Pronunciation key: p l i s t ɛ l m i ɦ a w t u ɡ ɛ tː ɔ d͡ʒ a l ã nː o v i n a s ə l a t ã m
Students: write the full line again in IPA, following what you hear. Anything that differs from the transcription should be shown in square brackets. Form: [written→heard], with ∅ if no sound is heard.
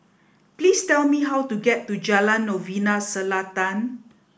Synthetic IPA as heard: p l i s t ɛ l m i ɦ a w t u ɡ ɛ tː [ɔ→u] d͡ʒ a l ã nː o v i n a s ə l a t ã [m→n]